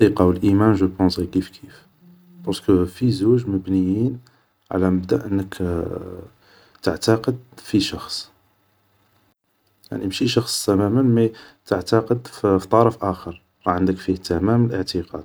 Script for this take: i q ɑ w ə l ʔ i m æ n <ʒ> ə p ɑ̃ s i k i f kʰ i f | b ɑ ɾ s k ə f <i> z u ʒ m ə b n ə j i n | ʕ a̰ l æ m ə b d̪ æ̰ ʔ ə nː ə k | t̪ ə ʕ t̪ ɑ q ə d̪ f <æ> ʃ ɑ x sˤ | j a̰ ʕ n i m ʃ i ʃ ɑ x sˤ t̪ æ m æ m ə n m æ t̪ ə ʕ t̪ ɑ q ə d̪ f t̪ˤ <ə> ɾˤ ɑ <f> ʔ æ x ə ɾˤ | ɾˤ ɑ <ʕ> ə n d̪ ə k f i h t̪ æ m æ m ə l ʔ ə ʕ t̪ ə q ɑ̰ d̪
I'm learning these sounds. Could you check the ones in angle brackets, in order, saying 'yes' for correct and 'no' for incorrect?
yes, yes, no, no, yes, yes

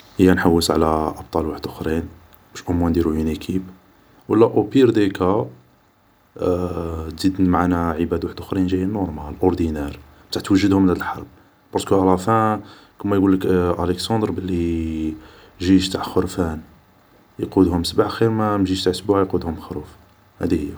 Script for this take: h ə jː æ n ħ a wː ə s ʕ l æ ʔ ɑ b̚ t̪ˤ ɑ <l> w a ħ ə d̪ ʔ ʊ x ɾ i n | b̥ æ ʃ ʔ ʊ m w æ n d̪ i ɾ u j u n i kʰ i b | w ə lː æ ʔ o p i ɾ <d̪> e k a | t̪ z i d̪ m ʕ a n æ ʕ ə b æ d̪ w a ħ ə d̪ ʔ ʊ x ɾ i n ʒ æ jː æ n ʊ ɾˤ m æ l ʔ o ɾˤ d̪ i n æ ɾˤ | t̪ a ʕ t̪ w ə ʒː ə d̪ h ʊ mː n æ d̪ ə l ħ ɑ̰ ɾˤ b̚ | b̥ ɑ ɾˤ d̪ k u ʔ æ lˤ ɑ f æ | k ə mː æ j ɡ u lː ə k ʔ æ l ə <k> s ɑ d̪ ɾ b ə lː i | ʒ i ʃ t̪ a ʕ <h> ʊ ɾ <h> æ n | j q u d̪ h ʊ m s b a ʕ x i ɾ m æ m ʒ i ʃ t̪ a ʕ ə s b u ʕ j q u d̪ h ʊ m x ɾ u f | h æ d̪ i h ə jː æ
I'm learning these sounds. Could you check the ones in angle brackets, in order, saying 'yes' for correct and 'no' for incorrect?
yes, yes, yes, no, no

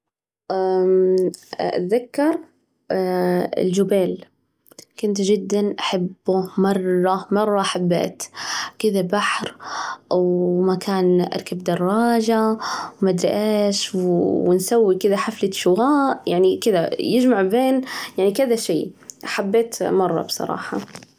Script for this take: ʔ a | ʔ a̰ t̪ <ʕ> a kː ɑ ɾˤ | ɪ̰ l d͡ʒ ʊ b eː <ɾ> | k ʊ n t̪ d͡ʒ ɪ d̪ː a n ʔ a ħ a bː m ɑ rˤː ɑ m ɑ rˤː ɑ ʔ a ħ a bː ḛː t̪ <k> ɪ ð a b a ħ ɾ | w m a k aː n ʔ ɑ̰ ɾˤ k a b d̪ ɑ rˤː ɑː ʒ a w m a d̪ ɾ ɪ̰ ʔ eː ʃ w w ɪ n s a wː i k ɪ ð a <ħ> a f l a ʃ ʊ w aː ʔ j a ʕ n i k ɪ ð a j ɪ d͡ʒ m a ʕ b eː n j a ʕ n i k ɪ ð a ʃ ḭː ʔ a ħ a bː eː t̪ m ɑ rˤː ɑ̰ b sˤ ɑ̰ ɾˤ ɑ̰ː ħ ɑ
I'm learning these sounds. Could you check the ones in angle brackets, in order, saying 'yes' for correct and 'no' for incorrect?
no, no, yes, yes

